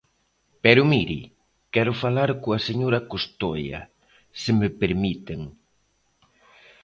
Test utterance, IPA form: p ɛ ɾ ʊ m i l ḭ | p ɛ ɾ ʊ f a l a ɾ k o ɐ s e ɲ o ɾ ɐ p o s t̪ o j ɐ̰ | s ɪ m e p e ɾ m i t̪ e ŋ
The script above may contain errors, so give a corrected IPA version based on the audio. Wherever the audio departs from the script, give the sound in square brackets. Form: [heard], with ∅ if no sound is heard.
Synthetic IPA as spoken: p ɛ ɾ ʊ m i [ɾ] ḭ | [k] ɛ ɾ ʊ f a l a ɾ k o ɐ s e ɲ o ɾ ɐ [k] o s t̪ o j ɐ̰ | s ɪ m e p e ɾ m i t̪ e ŋ